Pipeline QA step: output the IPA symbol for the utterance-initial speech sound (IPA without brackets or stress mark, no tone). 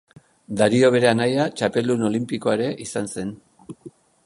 d̪